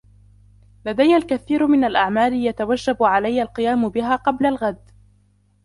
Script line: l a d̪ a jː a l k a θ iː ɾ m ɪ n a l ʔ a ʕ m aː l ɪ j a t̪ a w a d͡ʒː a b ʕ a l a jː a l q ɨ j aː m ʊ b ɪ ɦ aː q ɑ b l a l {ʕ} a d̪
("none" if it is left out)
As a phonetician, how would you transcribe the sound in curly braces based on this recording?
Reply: ɣ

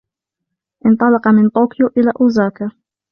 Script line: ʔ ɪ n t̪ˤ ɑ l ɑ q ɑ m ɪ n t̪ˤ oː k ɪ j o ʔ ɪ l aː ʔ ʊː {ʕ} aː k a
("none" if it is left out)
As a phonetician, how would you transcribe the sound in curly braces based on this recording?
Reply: z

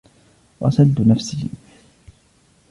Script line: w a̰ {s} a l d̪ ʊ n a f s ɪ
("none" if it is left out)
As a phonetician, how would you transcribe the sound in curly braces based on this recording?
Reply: s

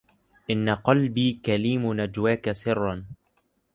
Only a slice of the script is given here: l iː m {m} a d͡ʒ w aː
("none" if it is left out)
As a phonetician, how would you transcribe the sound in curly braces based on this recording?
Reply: n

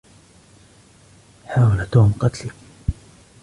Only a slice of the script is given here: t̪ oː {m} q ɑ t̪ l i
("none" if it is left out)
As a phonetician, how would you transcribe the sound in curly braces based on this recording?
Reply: m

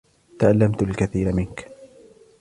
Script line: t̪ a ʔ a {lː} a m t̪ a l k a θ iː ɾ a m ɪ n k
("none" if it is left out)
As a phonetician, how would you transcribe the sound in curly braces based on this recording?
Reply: lː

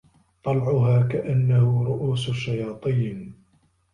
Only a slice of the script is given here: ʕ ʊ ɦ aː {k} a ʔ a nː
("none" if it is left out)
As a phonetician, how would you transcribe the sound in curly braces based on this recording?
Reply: k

